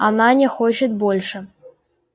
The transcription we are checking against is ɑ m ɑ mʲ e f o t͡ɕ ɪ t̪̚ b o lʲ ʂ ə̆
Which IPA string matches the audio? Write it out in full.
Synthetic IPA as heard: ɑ n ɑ nʲ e x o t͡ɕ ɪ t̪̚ b o lʲ ʂ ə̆